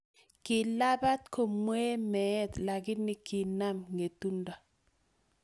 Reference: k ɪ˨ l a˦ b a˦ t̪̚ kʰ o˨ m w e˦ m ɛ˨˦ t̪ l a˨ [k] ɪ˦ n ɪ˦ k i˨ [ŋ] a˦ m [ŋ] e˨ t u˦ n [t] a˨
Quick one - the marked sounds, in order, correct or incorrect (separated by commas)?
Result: incorrect, incorrect, correct, incorrect